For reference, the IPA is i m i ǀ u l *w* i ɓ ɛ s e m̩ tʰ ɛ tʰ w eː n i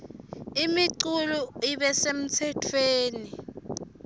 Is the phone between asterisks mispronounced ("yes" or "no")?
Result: yes